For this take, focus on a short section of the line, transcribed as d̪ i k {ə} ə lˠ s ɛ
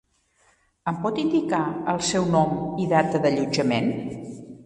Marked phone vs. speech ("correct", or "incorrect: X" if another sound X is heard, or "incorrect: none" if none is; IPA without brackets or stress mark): incorrect: a